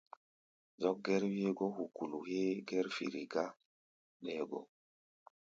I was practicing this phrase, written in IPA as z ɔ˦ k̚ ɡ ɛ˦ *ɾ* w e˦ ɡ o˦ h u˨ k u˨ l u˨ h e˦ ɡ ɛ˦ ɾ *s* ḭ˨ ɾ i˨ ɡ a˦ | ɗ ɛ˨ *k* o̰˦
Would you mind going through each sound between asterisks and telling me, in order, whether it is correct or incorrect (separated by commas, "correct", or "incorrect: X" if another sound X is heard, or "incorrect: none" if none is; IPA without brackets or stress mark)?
correct, incorrect: f, incorrect: ɡ